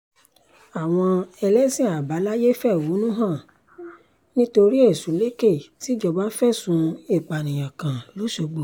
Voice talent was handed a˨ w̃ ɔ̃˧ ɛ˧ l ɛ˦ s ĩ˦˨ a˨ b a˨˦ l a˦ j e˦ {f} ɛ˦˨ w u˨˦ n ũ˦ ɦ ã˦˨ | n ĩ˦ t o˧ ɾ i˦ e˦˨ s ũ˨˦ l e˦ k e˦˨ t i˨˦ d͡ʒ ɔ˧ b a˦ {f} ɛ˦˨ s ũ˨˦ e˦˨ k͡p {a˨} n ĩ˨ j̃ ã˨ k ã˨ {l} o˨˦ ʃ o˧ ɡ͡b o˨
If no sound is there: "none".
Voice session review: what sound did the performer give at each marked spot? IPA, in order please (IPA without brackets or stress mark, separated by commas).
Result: f, f, a˨, l